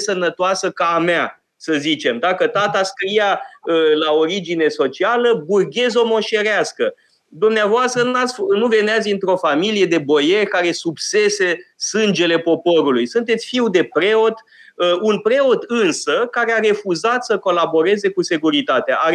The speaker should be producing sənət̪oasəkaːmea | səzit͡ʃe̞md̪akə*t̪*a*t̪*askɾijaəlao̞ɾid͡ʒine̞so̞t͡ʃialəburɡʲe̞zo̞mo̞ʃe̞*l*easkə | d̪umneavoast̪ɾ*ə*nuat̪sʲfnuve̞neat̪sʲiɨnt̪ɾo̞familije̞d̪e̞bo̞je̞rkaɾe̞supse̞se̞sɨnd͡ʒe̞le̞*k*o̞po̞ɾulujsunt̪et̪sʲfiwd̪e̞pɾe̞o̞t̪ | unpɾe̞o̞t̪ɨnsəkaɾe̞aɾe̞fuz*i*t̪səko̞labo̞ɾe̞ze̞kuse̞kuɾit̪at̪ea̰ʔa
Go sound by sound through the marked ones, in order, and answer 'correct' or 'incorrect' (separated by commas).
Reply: correct, correct, incorrect, correct, incorrect, incorrect